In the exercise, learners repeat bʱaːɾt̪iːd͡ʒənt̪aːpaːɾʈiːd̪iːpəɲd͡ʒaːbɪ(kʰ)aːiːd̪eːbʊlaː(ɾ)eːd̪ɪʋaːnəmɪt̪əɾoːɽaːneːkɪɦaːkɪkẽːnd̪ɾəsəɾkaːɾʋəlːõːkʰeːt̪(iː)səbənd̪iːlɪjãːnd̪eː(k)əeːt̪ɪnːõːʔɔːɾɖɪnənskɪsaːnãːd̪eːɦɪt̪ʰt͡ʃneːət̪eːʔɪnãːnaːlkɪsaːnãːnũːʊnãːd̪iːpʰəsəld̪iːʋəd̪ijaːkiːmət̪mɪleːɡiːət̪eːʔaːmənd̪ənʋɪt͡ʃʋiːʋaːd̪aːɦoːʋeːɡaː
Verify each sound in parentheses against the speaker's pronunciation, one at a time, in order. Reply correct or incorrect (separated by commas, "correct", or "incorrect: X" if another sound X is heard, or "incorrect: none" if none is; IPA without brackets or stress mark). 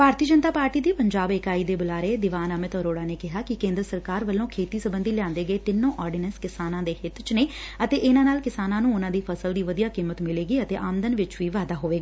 incorrect: k, correct, correct, incorrect: ɡ